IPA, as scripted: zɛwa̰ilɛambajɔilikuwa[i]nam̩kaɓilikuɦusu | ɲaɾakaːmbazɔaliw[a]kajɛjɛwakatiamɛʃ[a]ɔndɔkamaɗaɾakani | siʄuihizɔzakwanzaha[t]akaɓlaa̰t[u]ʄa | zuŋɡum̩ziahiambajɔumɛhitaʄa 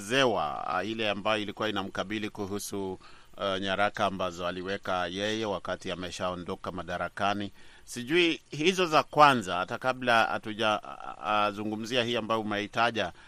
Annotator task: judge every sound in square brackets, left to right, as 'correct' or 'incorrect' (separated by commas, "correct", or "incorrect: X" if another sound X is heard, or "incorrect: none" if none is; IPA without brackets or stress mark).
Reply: correct, incorrect: ɛ, correct, correct, correct